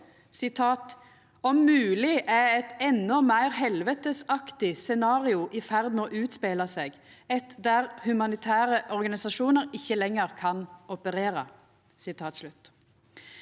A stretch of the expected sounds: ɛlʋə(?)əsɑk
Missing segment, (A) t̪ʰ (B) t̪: B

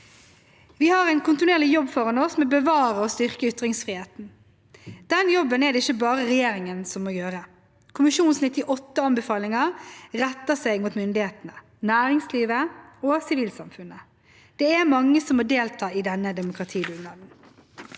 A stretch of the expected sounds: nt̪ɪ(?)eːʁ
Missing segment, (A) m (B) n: B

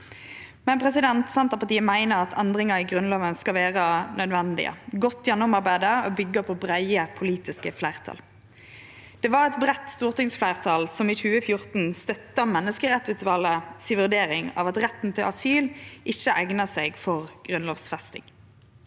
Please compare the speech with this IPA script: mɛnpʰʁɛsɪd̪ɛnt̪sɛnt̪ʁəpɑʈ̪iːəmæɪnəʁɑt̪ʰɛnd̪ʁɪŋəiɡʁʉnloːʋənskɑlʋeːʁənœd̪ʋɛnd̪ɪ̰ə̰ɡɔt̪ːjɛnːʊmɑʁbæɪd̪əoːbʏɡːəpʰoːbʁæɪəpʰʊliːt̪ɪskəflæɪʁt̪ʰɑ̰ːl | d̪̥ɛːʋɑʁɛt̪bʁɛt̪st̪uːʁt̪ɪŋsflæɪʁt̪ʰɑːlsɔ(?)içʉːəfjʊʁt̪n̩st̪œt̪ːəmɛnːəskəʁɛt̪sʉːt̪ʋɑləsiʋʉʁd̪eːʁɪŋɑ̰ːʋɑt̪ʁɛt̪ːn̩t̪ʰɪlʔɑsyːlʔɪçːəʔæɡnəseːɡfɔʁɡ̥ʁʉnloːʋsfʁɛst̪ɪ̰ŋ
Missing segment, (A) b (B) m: B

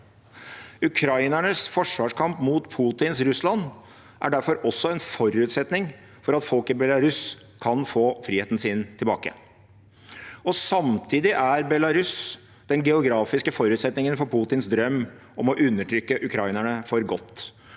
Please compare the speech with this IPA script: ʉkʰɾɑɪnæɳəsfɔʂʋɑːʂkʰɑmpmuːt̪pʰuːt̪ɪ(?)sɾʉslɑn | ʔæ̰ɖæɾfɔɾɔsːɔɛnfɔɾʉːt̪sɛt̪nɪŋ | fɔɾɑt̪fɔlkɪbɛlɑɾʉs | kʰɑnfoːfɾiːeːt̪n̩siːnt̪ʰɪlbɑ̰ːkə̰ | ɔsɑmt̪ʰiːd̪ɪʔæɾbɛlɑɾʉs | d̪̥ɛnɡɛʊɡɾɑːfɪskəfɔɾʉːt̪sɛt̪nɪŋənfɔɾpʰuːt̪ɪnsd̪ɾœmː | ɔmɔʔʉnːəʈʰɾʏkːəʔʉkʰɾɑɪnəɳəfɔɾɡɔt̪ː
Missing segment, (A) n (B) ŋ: A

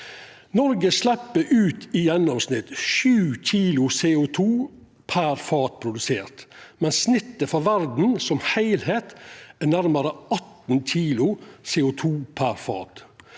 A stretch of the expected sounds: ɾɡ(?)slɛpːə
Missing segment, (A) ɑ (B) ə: B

